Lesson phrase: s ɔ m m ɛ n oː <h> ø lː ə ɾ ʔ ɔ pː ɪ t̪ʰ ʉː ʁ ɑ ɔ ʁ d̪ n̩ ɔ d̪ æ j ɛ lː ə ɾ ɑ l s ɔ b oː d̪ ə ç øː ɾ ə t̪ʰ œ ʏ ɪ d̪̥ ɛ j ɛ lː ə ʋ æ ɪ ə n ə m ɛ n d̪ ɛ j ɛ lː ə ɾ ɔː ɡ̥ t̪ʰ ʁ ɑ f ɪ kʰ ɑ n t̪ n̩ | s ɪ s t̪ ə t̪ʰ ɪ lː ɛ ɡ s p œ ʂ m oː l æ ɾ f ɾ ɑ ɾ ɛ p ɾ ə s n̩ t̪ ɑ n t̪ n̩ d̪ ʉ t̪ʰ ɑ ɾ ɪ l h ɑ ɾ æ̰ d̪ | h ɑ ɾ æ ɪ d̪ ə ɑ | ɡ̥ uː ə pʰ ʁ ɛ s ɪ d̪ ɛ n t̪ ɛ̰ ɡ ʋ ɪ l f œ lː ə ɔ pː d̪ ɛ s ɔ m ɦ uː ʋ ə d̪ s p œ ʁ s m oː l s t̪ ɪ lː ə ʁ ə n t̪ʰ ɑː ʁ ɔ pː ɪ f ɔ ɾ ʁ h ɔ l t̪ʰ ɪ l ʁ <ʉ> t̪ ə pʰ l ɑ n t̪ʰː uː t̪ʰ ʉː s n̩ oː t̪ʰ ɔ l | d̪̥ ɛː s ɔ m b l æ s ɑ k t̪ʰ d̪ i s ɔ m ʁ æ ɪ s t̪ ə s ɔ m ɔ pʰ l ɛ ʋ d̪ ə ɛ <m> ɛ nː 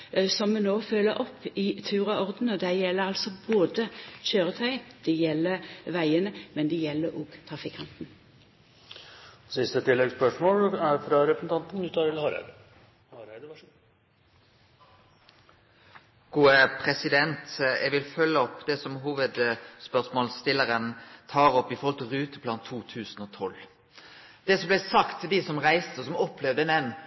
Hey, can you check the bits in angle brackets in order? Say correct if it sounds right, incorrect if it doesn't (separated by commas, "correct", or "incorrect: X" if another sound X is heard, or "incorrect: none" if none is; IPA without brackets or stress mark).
incorrect: f, incorrect: ʉː, incorrect: n